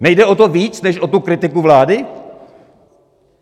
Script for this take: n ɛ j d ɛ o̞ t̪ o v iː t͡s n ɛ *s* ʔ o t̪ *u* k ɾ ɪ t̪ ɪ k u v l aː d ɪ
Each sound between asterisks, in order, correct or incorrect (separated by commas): incorrect, correct